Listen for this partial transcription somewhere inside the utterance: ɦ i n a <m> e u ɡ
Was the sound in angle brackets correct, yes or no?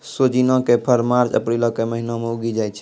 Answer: yes